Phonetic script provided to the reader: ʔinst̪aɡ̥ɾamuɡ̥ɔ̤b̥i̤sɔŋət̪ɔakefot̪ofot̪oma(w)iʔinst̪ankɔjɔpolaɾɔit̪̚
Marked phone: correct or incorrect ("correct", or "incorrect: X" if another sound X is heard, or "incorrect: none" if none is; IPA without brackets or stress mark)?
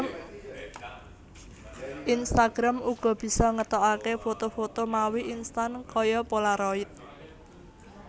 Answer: correct